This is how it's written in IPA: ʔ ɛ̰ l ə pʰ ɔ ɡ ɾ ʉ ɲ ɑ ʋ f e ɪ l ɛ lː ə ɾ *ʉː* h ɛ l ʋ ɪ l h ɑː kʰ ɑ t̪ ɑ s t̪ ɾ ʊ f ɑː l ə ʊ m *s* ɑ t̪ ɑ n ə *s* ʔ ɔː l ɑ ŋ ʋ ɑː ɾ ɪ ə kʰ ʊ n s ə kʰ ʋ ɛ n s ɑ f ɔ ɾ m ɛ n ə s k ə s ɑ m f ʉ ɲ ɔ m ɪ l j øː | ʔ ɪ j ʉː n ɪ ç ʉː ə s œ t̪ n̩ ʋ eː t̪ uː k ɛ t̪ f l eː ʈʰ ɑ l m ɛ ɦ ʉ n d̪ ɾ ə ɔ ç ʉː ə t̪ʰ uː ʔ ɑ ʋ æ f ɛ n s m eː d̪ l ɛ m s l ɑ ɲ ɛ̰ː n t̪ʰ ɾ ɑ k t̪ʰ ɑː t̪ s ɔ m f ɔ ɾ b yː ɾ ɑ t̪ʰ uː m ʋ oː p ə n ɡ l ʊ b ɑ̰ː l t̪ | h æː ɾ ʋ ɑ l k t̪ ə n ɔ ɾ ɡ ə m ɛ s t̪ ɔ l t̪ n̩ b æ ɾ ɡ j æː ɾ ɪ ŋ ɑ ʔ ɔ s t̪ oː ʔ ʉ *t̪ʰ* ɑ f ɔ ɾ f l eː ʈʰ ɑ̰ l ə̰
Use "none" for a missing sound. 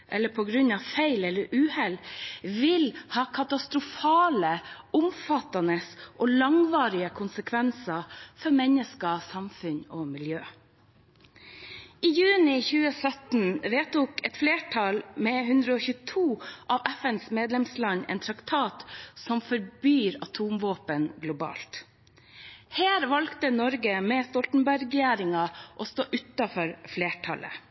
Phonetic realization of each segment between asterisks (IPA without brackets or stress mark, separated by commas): ʉː, f, s, t̪